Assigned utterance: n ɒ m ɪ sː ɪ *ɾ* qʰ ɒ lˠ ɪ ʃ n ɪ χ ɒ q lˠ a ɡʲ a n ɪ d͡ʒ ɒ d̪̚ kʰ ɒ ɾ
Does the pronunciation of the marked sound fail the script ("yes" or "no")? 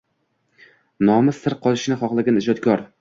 no